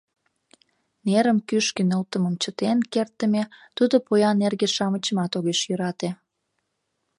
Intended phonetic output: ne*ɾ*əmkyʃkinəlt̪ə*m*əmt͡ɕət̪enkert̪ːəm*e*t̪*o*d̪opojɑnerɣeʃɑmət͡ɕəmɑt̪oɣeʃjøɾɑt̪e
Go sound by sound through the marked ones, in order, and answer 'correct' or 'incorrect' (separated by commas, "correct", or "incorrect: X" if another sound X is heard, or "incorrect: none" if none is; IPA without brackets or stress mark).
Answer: correct, correct, correct, incorrect: u